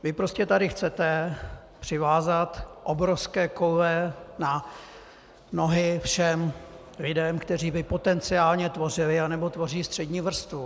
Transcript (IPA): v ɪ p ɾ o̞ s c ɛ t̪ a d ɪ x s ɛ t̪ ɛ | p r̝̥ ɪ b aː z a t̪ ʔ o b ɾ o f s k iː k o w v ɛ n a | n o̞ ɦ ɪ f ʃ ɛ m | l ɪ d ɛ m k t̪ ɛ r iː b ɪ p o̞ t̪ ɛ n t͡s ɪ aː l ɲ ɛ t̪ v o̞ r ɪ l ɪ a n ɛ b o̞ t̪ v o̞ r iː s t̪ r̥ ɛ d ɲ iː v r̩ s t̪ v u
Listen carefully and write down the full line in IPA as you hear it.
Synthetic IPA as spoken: v ɪ p ɾ o̞ s c ɛ t̪ a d ɪ x t͡s ɛ t̪ ɛ | p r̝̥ ɪ v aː z a t̪ ʔ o b ɾ o f s k ɛː k o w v ɛ n a | n o̞ ɦ ɪ f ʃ ɛ m | l ɪ d ɛ m k t̪ ɛ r iː b ɪ p o̞ t̪ ɛ n t͡s ɪ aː l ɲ ɛ t̪ v o̞ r ɪ l ɪ a n ɛ b o̞ t̪ v o̞ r iː s t̪ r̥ ɛ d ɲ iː v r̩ s t̪ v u